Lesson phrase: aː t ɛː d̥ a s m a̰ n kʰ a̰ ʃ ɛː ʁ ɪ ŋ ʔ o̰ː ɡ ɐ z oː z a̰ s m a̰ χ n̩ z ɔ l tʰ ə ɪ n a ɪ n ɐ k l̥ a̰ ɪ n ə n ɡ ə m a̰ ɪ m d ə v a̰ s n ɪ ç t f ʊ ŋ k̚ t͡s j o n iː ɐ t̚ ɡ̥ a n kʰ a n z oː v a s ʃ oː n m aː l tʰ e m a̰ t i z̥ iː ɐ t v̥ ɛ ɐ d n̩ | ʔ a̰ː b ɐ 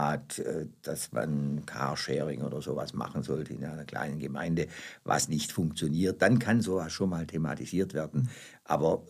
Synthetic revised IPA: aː t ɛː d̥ a s m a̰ n kʰ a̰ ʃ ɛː ʁ ɪ ŋ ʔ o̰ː d ɐ z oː v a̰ s m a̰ χ n̩ z ɔ l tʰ ə ɪ n a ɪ n ɐ k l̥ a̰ ɪ n ə n ɡ ə m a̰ ɪ n d ə v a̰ s n ɪ ç t f ʊ ŋ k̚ t͡s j o n iː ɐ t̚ d̥ a n kʰ a n z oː v a s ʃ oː n m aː l tʰ e m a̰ t i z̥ iː ɐ t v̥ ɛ ɐ d n̩ | ʔ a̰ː b ɐ